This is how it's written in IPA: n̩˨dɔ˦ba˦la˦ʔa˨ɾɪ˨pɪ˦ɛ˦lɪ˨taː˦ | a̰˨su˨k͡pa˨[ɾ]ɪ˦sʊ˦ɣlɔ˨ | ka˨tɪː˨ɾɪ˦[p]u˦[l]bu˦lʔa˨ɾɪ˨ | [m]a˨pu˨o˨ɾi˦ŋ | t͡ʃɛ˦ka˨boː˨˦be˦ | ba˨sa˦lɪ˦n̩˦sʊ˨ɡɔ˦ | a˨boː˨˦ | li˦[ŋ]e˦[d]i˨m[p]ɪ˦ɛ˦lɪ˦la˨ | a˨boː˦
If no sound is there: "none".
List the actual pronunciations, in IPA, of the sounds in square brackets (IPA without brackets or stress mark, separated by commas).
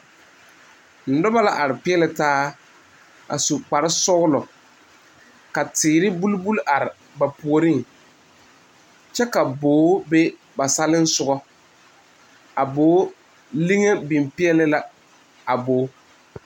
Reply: ɾ, b, l, b, ŋ, b, p